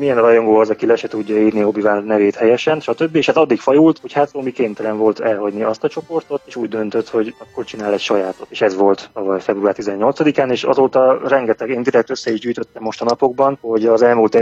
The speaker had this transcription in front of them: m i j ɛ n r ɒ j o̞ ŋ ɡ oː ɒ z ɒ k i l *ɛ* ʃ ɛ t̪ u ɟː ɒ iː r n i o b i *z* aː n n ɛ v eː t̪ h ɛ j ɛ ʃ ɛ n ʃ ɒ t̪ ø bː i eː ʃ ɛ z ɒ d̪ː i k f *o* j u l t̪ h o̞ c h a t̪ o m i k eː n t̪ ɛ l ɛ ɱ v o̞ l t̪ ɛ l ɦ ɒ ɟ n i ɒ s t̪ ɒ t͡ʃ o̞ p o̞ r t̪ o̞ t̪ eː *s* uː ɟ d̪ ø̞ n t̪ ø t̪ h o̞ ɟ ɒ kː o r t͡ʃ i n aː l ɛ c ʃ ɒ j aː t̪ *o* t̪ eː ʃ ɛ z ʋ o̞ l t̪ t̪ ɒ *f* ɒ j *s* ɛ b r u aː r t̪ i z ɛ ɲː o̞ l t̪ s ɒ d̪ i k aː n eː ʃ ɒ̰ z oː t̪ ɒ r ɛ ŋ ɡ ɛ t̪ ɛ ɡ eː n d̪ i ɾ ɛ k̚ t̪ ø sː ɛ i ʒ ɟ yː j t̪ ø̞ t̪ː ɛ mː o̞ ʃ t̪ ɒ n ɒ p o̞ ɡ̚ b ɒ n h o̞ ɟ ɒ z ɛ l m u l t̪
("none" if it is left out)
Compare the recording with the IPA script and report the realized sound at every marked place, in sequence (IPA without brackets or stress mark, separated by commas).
ɛ, v, ɒ, ʃ, o, v, f